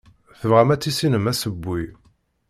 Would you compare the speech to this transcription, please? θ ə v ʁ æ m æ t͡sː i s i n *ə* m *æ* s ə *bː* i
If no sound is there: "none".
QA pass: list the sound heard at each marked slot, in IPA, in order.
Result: ə, æ, bː

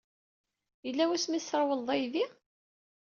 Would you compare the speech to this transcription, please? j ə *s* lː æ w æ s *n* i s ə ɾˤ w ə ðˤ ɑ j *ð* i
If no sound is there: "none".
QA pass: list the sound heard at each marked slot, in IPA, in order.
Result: none, m, ð

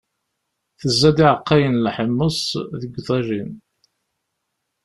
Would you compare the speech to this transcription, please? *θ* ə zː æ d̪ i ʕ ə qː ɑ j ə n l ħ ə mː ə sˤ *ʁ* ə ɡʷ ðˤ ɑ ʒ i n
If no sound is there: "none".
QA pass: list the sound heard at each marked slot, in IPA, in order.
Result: θ, ð

